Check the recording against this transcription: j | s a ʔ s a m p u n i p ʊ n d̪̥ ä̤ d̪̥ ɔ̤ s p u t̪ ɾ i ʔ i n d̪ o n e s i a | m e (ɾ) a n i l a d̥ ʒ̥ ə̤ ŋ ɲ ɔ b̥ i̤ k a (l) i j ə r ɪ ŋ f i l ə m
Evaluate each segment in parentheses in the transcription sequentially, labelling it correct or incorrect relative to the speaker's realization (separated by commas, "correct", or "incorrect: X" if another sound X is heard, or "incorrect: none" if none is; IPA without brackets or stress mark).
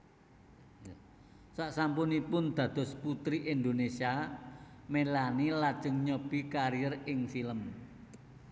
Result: incorrect: l, incorrect: ɾ